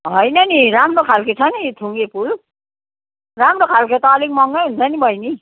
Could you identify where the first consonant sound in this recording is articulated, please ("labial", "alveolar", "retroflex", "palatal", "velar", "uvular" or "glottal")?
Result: glottal